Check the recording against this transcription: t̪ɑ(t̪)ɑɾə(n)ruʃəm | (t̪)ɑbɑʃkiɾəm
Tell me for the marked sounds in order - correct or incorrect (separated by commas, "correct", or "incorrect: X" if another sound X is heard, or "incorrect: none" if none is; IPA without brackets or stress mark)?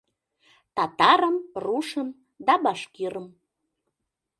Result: correct, incorrect: m, incorrect: d̪